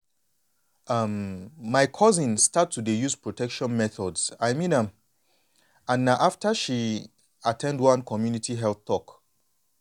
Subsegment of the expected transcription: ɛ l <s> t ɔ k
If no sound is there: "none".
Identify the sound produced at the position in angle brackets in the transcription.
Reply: θ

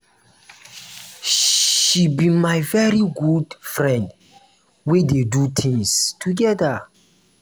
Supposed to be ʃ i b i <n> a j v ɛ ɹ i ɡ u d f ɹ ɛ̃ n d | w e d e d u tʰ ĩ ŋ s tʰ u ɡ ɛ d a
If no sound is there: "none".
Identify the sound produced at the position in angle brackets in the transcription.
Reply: m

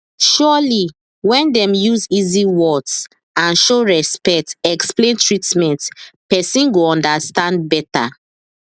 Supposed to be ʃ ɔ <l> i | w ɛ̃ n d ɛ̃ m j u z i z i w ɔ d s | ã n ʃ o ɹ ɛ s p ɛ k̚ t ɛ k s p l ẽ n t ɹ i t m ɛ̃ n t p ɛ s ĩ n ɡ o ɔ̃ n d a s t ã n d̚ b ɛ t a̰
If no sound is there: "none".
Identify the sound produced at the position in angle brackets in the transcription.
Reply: l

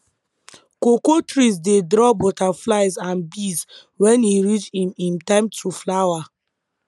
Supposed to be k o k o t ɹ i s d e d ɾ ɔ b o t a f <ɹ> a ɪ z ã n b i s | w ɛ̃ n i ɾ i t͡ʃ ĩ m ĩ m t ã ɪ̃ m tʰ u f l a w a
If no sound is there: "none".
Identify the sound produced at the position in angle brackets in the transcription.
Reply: l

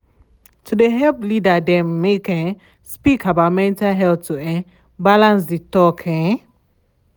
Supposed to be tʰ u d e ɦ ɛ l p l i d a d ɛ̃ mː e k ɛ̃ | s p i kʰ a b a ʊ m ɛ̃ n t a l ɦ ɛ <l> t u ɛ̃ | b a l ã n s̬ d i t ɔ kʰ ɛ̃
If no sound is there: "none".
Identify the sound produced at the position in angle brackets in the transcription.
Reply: l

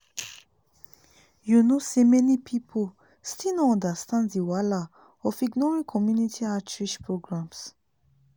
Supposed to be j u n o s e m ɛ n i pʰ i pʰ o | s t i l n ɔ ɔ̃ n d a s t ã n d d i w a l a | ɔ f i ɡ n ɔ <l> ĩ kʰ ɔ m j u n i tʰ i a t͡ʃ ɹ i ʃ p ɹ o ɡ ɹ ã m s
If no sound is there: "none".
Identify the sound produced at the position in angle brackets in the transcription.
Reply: ɹ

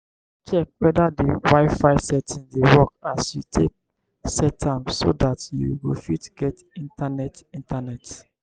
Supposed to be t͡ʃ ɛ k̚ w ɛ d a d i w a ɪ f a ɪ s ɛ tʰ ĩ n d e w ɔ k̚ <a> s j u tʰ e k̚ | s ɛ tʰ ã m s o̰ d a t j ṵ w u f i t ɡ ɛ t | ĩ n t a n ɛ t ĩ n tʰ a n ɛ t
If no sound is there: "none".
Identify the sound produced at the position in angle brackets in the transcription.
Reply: a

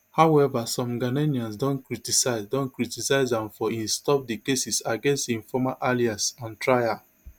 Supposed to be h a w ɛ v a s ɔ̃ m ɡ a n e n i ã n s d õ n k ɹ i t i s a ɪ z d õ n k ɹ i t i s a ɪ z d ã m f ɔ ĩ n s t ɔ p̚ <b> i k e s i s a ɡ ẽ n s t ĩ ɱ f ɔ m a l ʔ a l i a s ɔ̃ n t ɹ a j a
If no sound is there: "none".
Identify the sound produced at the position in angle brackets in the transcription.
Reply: d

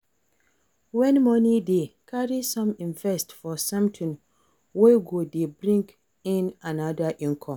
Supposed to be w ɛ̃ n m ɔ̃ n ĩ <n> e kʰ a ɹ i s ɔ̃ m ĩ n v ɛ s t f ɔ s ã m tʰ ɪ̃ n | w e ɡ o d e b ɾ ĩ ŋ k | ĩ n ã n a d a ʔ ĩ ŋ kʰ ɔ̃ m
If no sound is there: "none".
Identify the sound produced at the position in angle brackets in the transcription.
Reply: d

